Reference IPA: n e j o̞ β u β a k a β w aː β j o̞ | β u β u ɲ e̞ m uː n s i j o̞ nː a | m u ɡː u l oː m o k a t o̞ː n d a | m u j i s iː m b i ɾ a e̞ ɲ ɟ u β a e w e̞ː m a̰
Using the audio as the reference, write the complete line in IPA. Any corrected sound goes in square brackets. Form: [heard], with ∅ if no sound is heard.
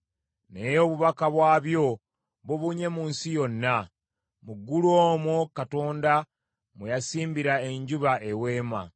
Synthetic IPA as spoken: n e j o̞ β u β a k a β w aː β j o̞ | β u β u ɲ e̞ m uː n s i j o̞ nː a | m u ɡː u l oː m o k a t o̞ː n d a | m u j [a] s iː m b i ɾ a e̞ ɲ ɟ u β a e w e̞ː m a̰